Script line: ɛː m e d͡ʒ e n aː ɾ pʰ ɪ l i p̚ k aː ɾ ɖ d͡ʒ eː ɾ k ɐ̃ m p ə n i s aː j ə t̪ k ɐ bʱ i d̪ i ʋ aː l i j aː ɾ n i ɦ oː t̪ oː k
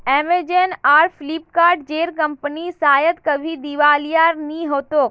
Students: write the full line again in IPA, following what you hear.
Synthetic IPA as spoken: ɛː m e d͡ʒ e n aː ɾ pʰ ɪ l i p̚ k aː ɾ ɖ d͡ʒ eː ɾ k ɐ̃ m p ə n i s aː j ə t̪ k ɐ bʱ i d̪ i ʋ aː l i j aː ɾ n i ɦ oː t̪ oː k